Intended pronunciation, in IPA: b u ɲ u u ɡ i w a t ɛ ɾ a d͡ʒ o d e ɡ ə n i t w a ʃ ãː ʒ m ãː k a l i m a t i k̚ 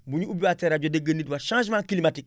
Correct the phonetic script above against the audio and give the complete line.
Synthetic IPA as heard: b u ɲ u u b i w a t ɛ ɾ a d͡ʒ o d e ɡ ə n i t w a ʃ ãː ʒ m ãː k i l i m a t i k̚